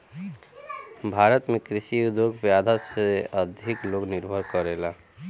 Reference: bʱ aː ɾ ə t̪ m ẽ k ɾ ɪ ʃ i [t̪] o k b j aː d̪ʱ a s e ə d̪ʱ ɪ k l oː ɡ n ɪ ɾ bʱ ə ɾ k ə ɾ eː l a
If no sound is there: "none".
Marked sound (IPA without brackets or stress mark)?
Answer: d̪